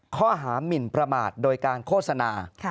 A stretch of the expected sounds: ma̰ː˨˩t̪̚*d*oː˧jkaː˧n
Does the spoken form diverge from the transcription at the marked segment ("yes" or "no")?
no